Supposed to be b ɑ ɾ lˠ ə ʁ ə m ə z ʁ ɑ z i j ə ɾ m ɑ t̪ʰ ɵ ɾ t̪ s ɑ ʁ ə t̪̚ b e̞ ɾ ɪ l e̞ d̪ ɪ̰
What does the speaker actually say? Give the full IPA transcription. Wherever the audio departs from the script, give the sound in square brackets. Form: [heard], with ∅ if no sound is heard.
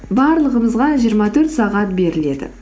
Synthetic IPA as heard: b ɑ ɾ lˠ ə ʁ ə m ə z ʁ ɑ [ʒ] i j ə ɾ m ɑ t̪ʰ ɵ ɾ t̪ s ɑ ʁ [ɑ] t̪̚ b e̞ ɾ ɪ l e̞ d̪ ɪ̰